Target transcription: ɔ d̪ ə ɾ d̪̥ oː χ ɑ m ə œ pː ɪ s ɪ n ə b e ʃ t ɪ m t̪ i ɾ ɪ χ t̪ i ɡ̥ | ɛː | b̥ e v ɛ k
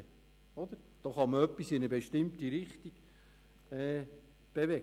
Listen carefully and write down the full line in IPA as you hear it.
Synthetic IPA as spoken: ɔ d̪ ə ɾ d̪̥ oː χ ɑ m ə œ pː i s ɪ n ə b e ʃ t ɪ m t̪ i ɾ ɪ χ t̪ i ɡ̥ | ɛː | b̥ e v ɛ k